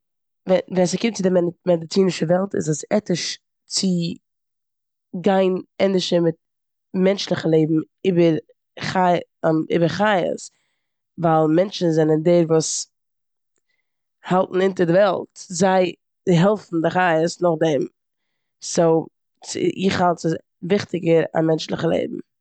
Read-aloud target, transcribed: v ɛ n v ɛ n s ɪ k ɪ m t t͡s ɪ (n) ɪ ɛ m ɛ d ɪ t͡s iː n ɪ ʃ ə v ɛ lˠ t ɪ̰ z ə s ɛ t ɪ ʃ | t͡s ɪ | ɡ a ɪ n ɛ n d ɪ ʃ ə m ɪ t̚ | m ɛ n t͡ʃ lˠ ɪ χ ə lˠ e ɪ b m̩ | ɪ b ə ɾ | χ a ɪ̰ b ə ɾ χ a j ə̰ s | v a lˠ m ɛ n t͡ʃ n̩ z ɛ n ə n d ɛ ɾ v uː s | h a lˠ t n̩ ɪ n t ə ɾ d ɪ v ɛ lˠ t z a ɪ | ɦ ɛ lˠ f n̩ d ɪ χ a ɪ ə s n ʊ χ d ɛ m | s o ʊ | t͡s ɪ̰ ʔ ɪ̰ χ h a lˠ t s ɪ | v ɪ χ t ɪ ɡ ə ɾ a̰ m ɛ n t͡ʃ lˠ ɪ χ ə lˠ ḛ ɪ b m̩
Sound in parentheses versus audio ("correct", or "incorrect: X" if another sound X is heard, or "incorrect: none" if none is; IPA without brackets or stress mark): incorrect: d